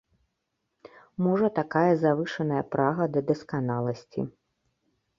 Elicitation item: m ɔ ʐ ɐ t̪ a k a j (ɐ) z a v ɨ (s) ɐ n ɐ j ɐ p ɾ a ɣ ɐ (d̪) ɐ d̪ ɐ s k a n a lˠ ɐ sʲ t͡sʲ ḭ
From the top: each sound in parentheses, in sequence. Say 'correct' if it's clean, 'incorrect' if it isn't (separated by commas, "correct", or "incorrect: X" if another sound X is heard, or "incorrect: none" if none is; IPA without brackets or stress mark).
correct, incorrect: ʂ, correct